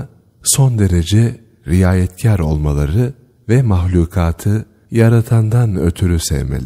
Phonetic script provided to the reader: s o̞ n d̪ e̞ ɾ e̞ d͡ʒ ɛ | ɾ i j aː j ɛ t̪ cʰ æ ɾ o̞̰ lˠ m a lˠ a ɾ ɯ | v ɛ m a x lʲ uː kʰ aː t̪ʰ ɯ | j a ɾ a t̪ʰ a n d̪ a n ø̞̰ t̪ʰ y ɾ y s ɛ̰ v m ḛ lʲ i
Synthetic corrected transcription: s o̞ n d̪ e̞ ɾ e̞ d͡ʒ ɛ | ɾ i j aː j ɛ t̪ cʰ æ ɾ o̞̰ lˠ m a lˠ a ɾ ɯ | v ɛ m a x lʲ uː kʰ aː t̪ʰ ɯ | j a ɾ a t̪ʰ a n d̪ a n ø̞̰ t̪ʰ y ɾ y s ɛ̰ v m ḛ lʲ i